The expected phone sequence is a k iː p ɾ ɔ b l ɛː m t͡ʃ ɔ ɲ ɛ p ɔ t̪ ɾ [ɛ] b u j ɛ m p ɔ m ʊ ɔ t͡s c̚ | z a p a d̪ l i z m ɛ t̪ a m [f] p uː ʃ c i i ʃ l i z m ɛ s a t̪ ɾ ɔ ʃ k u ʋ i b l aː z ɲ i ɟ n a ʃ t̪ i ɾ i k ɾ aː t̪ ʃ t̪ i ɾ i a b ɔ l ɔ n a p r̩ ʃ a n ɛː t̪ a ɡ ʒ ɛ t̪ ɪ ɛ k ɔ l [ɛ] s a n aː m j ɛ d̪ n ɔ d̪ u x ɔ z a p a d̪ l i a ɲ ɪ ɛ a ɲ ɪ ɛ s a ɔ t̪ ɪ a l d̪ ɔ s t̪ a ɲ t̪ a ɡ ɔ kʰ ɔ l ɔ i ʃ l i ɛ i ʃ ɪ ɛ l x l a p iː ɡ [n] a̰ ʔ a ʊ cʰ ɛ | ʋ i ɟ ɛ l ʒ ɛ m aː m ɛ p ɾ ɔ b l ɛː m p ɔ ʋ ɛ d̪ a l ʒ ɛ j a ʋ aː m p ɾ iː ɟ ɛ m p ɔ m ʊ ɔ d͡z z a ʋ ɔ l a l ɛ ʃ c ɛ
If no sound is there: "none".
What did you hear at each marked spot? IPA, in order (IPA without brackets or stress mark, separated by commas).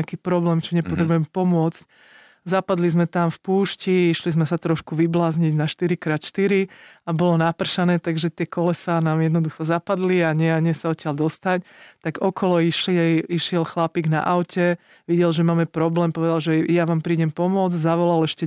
ɛ, f, ɛ, n